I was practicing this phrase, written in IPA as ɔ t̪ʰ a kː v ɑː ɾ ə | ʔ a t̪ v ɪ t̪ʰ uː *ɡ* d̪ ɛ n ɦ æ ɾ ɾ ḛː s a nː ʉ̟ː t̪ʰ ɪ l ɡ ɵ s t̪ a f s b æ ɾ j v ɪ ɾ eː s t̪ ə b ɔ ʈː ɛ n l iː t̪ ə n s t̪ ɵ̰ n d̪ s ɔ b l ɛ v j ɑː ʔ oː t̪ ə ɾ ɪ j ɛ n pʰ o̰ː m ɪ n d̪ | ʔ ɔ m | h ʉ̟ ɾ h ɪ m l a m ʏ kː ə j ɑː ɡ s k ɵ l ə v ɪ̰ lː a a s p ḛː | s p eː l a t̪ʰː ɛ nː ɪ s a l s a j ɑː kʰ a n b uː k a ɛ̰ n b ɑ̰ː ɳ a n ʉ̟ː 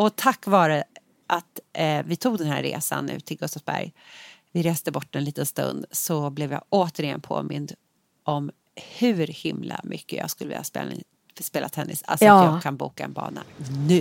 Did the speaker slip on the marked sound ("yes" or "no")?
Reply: no